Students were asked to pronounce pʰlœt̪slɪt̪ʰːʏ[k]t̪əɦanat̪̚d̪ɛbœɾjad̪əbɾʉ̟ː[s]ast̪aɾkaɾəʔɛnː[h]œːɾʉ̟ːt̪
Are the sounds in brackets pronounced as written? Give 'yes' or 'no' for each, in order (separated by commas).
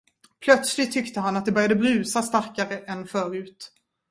yes, yes, no